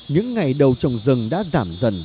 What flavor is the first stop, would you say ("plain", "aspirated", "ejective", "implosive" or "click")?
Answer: implosive